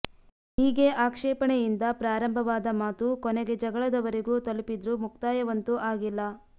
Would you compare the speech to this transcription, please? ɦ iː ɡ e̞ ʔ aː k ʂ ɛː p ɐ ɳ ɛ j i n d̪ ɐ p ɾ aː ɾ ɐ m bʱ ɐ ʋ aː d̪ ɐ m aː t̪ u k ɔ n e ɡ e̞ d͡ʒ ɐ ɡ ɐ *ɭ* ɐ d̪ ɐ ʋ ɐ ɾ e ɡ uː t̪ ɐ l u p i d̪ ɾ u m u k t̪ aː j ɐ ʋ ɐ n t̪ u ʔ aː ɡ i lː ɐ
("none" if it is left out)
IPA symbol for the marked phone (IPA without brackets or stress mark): ɭ